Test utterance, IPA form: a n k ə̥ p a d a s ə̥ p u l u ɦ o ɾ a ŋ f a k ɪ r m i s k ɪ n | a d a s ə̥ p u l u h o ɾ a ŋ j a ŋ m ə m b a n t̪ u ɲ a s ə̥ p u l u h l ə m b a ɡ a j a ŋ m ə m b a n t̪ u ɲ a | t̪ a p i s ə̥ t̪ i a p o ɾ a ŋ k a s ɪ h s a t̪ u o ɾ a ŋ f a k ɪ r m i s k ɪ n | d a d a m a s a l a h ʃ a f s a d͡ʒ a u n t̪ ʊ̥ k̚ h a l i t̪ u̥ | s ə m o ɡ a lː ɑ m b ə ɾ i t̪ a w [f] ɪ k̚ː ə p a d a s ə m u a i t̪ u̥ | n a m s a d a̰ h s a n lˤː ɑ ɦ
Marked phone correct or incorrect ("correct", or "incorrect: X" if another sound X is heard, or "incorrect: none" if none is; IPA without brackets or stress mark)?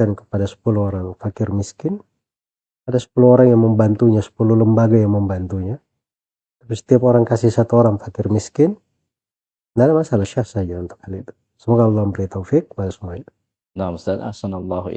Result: correct